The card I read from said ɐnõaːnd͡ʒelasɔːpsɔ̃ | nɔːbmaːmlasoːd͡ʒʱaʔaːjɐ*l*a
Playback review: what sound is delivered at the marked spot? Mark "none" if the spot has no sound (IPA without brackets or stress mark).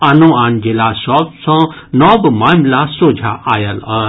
l